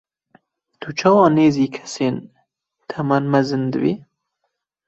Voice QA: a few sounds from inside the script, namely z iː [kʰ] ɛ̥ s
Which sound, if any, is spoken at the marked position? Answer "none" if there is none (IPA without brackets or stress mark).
kʰ